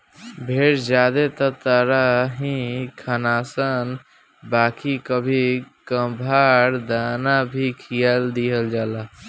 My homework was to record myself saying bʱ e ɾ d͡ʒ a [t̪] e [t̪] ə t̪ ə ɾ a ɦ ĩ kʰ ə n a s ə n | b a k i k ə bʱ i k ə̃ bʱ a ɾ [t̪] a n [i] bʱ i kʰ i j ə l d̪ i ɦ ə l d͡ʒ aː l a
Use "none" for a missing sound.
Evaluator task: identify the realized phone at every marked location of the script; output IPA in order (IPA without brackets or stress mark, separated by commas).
d̪, t̪, d̪, a